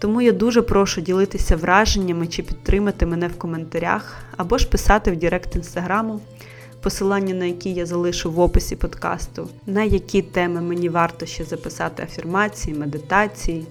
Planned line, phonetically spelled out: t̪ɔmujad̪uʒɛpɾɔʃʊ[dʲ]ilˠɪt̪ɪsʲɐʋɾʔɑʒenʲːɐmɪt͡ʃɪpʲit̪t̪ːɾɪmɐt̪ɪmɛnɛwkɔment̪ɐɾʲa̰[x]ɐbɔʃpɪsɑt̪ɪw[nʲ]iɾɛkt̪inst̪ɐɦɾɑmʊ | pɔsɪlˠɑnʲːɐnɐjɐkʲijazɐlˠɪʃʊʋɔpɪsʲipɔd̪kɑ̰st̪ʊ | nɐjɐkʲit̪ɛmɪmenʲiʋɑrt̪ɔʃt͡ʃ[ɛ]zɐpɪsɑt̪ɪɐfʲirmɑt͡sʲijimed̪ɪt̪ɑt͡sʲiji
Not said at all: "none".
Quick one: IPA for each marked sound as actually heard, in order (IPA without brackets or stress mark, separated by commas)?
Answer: dʲ, x, dʲ, ɛ